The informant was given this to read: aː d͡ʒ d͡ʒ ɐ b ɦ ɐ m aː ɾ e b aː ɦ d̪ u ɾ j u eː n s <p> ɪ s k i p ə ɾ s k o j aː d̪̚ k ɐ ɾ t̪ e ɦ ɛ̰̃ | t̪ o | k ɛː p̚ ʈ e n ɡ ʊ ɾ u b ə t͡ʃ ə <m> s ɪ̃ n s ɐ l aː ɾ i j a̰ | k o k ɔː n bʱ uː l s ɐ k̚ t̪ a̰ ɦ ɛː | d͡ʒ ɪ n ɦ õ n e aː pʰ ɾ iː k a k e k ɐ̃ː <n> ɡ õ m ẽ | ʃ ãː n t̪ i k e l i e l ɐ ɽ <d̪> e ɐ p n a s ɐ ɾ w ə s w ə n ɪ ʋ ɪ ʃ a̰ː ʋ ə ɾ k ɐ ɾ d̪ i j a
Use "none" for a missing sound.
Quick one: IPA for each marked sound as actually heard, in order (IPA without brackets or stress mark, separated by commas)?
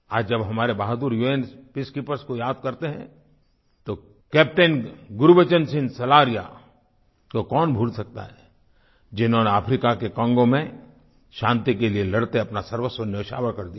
p, n, ŋ, t̪